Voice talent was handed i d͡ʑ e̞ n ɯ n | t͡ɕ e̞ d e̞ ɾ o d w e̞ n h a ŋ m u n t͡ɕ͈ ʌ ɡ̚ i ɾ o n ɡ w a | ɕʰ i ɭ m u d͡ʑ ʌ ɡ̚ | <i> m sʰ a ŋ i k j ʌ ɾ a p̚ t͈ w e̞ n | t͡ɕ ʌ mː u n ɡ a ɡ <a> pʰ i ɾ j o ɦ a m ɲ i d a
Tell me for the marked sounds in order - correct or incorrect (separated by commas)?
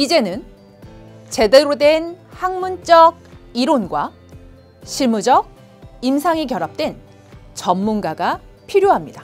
correct, correct